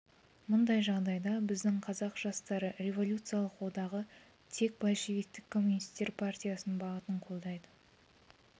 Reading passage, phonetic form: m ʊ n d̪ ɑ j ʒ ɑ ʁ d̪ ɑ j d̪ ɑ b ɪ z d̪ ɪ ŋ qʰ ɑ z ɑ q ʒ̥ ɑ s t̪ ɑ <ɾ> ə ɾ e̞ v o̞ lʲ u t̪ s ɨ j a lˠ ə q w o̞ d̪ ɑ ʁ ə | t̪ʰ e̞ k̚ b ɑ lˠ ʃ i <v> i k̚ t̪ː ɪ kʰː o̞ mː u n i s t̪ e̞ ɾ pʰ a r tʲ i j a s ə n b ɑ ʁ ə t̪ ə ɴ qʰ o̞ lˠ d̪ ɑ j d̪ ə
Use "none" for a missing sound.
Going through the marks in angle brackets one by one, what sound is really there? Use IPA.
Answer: ɾ, v

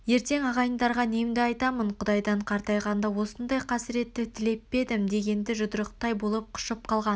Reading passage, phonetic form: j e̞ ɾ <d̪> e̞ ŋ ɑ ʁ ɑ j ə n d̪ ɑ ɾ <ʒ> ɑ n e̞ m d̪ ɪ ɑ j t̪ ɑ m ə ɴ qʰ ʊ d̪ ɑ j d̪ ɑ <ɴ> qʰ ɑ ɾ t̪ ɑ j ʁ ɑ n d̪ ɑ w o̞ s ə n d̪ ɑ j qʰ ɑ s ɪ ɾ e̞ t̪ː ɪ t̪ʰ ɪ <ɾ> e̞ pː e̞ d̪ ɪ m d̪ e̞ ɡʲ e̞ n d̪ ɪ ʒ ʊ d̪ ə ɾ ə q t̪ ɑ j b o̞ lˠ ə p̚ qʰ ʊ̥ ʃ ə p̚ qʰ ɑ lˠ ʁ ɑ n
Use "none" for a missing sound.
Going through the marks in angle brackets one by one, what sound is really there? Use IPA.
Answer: t̪, ʁ, ɴ, l

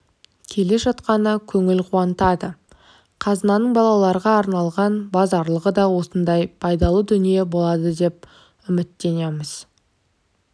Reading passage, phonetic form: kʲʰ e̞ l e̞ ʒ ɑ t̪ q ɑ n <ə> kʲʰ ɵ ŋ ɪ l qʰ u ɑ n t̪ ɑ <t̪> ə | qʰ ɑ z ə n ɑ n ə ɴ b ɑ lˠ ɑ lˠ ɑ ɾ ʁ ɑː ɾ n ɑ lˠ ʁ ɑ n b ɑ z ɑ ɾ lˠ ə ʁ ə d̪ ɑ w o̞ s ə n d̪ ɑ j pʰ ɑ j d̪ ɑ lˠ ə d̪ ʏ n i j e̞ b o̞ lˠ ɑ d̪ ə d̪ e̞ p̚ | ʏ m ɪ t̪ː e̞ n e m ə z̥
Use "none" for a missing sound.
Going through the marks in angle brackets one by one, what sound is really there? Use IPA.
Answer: ə, d̪

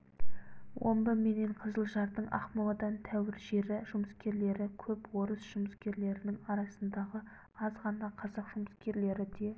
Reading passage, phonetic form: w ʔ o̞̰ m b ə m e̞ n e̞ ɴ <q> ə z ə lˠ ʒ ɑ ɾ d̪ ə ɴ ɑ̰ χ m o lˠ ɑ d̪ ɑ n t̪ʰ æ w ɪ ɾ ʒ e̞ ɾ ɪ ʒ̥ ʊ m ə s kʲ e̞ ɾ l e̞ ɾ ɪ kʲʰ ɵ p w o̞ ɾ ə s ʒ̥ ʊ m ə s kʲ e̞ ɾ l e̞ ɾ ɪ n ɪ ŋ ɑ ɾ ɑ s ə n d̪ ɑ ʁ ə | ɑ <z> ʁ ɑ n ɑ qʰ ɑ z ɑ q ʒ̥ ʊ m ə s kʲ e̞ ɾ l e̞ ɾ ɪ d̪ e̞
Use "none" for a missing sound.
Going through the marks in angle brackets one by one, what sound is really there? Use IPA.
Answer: qʰ, z

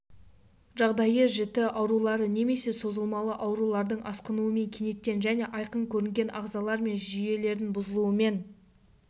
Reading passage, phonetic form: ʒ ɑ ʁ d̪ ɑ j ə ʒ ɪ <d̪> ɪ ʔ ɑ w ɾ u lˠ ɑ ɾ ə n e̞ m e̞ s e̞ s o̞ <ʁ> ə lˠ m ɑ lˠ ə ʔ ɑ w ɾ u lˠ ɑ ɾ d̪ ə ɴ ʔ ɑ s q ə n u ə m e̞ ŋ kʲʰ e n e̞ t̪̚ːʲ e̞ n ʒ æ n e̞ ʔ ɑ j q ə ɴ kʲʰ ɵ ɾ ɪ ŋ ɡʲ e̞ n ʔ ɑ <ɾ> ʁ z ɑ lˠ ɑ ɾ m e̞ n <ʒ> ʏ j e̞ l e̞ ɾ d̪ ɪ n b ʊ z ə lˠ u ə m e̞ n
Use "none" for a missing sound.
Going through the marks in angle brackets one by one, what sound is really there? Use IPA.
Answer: t̪, z, none, ʒ

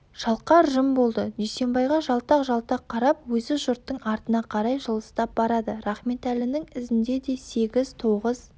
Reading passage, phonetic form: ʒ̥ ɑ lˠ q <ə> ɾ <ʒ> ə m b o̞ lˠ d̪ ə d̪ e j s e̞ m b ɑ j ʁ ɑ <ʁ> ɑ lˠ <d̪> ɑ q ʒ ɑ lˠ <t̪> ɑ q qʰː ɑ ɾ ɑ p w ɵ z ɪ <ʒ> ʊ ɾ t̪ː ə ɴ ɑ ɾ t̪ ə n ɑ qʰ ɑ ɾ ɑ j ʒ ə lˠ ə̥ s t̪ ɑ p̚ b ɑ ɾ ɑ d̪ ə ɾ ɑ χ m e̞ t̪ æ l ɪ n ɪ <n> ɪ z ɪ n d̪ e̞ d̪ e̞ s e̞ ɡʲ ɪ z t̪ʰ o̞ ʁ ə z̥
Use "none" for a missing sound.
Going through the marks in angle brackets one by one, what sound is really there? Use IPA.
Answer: ɑ, ʒ, ʒ, t̪, t̪, ʒ, ŋ

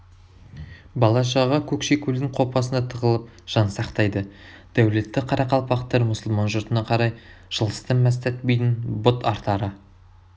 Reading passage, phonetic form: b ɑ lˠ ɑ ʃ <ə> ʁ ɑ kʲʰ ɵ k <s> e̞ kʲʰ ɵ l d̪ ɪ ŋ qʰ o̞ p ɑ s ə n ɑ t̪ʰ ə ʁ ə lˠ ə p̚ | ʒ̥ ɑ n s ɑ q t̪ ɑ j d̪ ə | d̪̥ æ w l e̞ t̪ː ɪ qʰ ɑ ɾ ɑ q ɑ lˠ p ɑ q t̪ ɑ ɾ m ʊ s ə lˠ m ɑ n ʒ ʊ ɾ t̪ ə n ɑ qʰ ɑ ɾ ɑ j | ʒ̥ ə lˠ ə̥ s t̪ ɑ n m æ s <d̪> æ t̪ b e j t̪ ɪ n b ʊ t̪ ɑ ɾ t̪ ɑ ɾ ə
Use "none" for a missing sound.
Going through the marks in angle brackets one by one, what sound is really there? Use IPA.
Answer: ɑ, ʃ, t̪

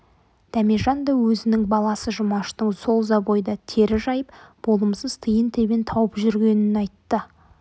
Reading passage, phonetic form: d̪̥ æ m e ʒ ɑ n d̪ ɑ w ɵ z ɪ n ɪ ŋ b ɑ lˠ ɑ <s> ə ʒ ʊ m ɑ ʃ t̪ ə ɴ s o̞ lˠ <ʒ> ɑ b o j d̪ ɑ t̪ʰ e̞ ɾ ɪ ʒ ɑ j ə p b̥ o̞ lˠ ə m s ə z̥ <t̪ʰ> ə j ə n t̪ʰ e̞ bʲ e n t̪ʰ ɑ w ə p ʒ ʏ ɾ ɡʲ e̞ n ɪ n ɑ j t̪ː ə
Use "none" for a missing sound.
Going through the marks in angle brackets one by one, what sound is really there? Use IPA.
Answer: s, z, t̪ʰ

